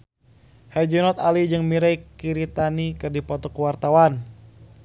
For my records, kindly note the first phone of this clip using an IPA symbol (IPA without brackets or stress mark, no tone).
h